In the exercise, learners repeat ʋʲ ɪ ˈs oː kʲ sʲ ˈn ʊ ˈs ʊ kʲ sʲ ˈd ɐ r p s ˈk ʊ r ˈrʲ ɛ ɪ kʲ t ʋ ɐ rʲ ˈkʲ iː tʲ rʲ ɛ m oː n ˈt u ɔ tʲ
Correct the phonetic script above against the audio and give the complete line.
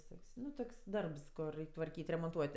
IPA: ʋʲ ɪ ˈs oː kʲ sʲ ˈn ʊ ˈt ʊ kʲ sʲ ˈd ɐ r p s ˈk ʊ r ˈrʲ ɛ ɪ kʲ t ʋ ɐ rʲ ˈkʲ iː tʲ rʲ ɛ m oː n ˈt u ɔ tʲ

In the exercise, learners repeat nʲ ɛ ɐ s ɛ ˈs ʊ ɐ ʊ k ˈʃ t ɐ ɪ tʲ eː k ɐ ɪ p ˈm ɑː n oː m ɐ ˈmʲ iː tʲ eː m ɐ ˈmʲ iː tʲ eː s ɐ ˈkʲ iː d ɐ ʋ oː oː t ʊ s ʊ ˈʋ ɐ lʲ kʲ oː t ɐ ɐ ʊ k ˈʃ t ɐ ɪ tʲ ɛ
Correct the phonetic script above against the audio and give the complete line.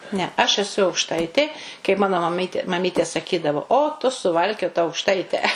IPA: nʲ ɛ ɐ ʃ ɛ ˈs ʊ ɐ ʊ k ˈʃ t ɐ ɪ tʲ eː k ɐ ɪ p ˈm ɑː n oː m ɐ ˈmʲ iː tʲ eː m ɐ ˈmʲ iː tʲ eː s ɐ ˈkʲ iː d ɐ ʋ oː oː t ʊ s ʊ ˈʋ ɐ lʲ kʲ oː t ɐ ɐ ʊ k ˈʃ t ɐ ɪ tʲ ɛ

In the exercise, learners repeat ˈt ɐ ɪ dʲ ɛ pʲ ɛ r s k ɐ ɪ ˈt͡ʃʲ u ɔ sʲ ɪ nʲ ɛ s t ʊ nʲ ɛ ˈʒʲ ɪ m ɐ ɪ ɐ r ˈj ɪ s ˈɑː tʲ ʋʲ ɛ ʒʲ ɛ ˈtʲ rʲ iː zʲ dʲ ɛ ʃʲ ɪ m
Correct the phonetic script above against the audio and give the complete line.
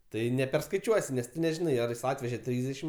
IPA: ˈt ɐ ɪ nʲ ɛ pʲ ɛ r s k ɐ ɪ ˈt͡ʃʲ u ɔ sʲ ɪ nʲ ɛ s t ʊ nʲ ɛ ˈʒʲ ɪ n ɐ ɪ ɐ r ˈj ɪ s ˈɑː tʲ ʋʲ ɛ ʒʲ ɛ ˈtʲ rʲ iː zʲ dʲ ɛ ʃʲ ɪ m

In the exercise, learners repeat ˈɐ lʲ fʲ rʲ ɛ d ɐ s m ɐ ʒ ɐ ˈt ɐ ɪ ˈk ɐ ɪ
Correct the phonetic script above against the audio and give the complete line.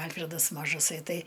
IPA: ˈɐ lʲ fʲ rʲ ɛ d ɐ s m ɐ ʒ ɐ ˈs ɐ ɪ ˈt ɐ ɪ

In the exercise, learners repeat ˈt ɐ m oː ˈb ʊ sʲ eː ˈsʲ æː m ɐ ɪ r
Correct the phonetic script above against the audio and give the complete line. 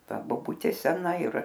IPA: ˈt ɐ b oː ˈb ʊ tʲ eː ˈsʲ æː n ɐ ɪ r

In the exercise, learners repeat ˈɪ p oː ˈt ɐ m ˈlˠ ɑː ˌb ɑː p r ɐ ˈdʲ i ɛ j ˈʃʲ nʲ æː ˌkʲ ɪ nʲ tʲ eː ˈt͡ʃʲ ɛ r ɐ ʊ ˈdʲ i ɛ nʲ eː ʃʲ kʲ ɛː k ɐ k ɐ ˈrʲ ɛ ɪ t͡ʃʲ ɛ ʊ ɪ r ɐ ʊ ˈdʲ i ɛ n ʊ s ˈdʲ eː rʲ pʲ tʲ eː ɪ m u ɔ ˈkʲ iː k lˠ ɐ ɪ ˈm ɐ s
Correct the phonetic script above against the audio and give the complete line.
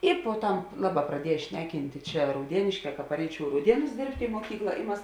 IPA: ˈɪ p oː ˈt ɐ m ˈlˠ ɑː ˌb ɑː p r ɐ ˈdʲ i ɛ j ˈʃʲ nʲ æː ˌkʲ ɪ nʲ tʲ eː ˈt͡ʃʲ ɛ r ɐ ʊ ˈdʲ i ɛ nʲ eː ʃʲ kʲ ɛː k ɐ p ɐ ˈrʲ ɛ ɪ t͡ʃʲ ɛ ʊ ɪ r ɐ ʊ ˈdʲ i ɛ n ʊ s ˈdʲ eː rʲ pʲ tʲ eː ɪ m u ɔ ˈkʲ iː k lˠ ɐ ɪ ˈm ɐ s

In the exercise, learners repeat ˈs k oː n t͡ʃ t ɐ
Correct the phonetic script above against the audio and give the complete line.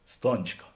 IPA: ˈs t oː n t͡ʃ k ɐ

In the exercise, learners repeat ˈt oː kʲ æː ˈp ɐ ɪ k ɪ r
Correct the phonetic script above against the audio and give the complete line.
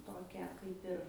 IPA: ˈt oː kʲ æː ˈk ɐ ɪ p ɪ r

